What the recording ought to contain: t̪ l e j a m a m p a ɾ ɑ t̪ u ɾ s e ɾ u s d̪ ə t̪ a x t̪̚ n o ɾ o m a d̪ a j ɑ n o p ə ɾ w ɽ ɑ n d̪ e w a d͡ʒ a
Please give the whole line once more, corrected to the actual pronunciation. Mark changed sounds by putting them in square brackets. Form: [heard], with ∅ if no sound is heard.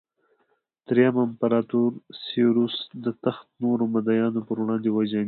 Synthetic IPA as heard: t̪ [ɾ] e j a m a m p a ɾ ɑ t̪ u ɾ s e ɾ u s d̪ ə t̪ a x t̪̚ n o ɾ o m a d̪ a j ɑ n o p ə ɾ w ɽ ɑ n d̪ e w a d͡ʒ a